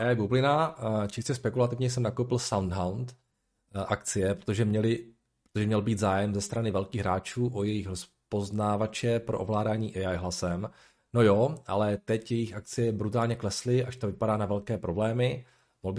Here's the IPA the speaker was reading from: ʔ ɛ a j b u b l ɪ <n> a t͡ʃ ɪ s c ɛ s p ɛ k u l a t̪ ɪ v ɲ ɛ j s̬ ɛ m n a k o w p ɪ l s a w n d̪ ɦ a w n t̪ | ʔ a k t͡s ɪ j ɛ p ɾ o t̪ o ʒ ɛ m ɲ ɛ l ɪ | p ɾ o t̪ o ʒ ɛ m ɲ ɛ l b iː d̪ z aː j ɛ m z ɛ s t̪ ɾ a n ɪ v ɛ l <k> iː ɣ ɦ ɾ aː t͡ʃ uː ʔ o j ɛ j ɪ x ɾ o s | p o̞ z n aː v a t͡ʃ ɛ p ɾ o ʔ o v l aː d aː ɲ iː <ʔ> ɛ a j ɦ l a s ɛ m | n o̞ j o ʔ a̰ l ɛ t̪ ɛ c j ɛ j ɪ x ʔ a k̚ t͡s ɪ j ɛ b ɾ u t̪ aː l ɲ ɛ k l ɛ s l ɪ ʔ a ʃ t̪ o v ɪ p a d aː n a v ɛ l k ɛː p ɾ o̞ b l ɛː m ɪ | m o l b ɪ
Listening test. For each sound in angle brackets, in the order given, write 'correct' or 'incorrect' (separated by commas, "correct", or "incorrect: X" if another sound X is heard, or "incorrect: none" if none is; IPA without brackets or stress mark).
correct, correct, correct